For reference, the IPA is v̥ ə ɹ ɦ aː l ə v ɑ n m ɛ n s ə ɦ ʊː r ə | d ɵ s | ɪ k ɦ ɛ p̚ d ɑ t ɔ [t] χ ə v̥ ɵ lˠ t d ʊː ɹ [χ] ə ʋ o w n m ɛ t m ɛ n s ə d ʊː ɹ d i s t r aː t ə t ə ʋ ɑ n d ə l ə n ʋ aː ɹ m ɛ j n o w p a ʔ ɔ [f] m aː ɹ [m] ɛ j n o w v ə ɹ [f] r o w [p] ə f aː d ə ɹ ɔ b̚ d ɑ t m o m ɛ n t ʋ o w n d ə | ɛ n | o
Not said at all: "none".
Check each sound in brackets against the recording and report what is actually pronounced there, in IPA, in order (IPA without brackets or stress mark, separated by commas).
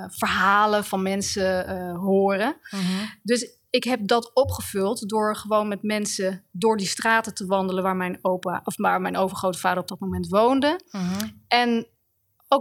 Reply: p, χ, f, m, χ, t